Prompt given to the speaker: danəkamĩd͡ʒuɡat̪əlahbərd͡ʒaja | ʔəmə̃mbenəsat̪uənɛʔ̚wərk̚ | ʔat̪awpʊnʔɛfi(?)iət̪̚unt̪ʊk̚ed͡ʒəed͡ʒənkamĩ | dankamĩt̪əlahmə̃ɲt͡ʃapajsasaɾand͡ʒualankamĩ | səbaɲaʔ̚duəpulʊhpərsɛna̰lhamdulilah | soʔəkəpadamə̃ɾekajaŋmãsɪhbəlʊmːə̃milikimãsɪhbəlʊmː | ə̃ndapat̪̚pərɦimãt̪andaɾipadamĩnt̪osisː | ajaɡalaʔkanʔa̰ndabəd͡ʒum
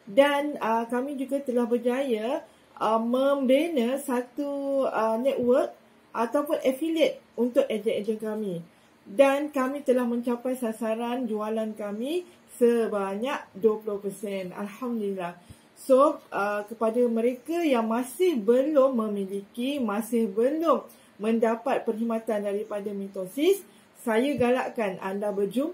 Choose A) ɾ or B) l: B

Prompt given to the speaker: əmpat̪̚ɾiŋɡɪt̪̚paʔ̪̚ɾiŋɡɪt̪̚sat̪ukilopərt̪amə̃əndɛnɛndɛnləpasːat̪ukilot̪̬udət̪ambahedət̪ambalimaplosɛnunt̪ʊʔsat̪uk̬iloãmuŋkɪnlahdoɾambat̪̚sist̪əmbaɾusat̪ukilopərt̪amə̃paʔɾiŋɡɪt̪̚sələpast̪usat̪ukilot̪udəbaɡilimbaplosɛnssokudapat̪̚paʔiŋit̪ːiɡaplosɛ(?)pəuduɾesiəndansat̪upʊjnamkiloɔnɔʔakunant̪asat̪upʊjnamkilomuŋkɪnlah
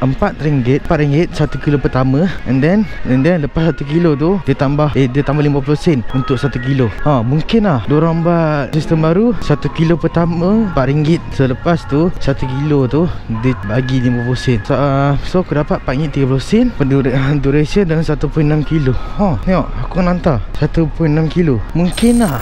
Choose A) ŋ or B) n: B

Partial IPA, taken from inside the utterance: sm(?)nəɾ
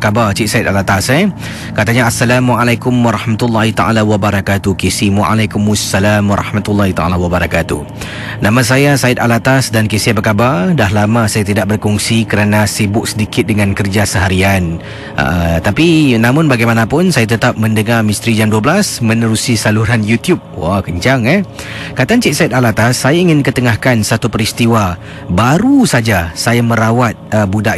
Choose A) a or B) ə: B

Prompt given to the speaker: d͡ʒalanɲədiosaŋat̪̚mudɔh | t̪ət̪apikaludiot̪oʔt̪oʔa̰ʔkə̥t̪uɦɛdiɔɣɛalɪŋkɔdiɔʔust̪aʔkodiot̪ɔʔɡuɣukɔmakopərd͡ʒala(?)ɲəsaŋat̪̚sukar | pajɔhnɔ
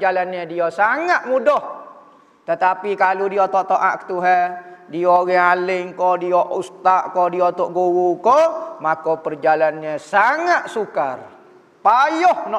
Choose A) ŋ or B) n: B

